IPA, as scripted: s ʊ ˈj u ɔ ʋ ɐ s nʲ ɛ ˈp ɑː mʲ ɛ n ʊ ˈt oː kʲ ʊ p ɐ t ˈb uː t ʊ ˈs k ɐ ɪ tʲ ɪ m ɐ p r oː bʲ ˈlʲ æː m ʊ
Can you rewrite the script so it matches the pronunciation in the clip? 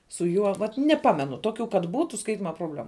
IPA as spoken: s ʊ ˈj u ɔ ʋ ɐ t nʲ ɛ ˈp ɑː mʲ ɛ n ʊ ˈt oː kʲ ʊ k ɐ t ˈb uː t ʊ ˈs k ɐ ɪ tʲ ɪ m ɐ p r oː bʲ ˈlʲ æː m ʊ